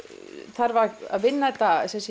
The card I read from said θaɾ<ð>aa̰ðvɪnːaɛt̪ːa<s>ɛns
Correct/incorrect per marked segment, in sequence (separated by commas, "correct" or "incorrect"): incorrect, correct